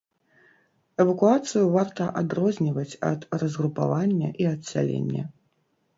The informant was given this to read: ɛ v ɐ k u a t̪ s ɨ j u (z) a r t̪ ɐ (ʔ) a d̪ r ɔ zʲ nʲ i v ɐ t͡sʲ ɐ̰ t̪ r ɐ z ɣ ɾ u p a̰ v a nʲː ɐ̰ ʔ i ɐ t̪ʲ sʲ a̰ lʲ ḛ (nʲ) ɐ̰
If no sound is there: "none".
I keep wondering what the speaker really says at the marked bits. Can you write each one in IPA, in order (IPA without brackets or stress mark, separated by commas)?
v, ʔ, nʲː